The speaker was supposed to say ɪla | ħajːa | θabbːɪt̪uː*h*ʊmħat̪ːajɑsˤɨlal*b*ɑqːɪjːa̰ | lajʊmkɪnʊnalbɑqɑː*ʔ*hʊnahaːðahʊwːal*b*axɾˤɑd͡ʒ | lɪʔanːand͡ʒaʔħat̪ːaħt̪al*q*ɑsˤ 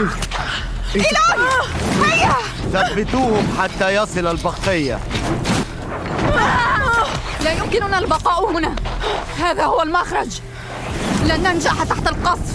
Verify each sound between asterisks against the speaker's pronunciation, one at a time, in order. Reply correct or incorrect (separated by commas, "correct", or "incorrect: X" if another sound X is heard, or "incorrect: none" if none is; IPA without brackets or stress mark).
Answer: correct, correct, correct, incorrect: m, correct